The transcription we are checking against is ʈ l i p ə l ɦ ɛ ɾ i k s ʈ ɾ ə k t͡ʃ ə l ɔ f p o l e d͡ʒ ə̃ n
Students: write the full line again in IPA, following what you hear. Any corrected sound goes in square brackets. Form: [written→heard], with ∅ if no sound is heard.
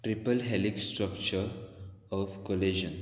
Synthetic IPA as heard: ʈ [l→ɾ] i p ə l ɦ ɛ [ɾ→l] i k s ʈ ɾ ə k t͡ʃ ə [l→ɾ] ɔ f [p→k] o l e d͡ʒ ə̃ n